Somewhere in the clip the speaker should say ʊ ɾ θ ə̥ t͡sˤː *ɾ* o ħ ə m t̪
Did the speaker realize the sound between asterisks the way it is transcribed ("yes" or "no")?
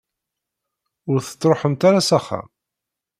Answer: yes